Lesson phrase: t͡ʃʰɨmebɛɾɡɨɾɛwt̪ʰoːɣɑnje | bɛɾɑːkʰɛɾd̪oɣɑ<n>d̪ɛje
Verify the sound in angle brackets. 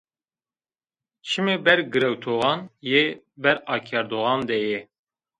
correct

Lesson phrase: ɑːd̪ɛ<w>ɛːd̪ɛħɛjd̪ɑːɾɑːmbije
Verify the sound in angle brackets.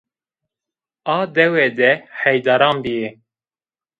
correct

